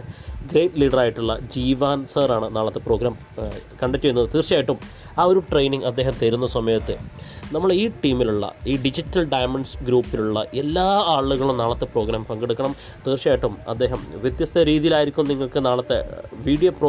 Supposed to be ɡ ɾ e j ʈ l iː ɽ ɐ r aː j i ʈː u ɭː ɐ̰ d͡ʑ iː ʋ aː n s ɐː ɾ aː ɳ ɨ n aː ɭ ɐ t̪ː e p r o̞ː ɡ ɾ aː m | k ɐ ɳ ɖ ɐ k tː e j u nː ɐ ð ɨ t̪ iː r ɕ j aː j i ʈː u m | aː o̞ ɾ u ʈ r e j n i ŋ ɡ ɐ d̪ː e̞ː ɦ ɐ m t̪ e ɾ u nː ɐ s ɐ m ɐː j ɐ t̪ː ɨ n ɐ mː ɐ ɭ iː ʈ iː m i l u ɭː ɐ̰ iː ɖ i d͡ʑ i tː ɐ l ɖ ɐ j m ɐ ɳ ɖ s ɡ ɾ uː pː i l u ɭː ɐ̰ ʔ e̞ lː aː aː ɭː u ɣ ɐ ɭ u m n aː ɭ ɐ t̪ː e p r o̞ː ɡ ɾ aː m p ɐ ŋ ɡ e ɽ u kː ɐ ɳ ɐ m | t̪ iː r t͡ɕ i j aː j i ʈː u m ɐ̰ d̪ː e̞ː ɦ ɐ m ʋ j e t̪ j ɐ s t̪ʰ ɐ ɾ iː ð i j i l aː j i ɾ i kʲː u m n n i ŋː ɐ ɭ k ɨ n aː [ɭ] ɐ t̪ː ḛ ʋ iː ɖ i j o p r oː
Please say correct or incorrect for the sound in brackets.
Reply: correct